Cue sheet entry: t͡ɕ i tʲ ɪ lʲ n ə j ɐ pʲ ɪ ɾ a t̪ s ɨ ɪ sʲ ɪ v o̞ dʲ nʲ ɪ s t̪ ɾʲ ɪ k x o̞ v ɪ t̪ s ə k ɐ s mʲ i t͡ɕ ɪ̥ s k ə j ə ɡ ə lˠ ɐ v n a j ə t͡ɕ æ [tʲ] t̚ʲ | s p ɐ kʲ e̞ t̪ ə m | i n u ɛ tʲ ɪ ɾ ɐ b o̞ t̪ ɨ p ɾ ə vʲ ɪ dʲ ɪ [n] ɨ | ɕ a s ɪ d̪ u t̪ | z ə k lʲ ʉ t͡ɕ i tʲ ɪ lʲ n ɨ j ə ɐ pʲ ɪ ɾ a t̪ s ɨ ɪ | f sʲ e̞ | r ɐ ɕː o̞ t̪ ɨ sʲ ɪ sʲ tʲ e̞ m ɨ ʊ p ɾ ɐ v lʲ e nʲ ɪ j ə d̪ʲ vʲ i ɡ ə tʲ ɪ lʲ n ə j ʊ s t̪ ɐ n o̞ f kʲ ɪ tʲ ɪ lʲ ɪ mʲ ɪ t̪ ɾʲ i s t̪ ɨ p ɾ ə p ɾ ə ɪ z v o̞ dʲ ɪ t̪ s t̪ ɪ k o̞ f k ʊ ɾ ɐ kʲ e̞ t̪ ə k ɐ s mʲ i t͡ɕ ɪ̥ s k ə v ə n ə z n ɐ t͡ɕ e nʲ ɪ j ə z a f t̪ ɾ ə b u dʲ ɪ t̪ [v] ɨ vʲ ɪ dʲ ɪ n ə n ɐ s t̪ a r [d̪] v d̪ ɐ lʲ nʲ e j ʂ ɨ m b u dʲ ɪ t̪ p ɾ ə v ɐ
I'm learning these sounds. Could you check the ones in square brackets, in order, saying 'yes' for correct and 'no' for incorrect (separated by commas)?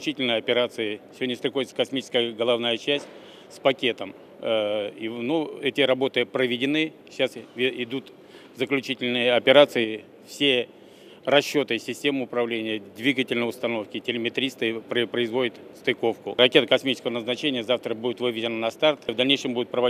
no, yes, yes, no